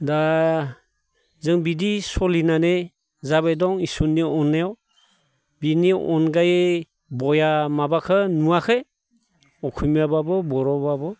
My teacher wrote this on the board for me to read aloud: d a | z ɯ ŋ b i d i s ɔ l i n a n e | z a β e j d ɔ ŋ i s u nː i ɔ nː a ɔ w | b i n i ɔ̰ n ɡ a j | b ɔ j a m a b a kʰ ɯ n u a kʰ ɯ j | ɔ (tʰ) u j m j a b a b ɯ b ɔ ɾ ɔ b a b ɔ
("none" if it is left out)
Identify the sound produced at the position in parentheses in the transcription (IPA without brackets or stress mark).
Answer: kʰ